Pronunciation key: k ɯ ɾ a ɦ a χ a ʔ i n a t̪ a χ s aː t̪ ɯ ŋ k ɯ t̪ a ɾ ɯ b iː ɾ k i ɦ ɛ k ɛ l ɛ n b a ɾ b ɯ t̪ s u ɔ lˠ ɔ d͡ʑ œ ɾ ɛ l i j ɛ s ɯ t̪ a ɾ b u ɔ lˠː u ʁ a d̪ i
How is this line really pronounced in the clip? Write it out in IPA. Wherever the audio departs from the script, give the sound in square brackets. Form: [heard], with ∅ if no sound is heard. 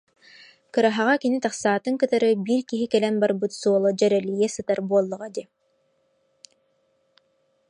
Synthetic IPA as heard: k ɯ ɾ a ɦ a [ʁ] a [k] i n [i] t̪ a χ s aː t̪ ɯ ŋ k ɯ t̪ a ɾ ɯ b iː ɾ k i ɦ [i] k ɛ l ɛ n b a ɾ b ɯ t̪ s u ɔ lˠ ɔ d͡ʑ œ ɾ ɛ l i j ɛ s ɯ t̪ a ɾ b u ɔ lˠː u ʁ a d̪ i